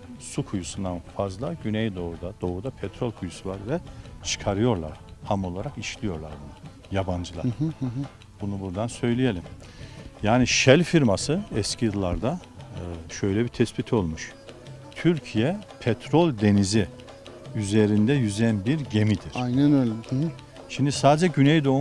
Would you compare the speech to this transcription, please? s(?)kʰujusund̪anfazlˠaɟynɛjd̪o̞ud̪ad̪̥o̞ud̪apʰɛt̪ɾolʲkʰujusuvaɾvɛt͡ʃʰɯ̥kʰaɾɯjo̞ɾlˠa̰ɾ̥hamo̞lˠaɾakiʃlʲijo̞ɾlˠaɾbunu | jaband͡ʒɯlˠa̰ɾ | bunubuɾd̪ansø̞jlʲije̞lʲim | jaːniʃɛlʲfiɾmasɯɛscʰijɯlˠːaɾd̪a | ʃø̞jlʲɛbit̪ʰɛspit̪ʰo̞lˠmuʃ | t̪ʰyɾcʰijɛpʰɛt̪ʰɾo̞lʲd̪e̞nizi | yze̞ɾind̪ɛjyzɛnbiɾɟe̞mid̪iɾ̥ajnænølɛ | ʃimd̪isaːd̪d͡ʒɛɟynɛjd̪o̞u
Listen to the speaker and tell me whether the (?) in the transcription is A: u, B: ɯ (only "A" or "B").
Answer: A